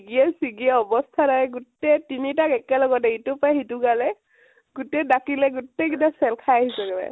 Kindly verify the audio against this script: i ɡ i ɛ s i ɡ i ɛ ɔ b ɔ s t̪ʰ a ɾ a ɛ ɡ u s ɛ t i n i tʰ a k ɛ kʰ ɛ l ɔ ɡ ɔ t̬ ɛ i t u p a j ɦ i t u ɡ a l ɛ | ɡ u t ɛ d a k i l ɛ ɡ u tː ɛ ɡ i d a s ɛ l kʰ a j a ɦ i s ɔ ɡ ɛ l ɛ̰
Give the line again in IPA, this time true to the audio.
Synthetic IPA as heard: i ɡ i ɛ s i ɡ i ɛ ɔ b ɔ s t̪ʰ a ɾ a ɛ ɡ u t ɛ t i n i t a k ɛ k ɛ l ɔ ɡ ɔ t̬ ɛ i t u p a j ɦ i t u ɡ a l ɛ | ɡ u t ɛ d a k i l ɛ ɡ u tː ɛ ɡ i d a s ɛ l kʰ a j a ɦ i s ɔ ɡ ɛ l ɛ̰